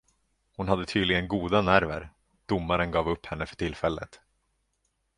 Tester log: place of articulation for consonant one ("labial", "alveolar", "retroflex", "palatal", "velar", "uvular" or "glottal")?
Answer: glottal